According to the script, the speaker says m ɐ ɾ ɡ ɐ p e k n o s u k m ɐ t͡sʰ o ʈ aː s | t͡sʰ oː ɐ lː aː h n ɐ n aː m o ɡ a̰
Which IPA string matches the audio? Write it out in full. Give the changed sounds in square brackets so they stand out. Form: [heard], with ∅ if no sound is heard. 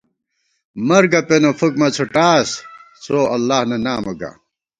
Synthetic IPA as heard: m ɐ ɾ ɡ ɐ p e [∅] n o [f] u k m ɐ t͡sʰ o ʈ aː s | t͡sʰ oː ɐ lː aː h n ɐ n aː m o ɡ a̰